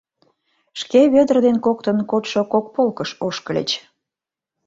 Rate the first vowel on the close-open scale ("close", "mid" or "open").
mid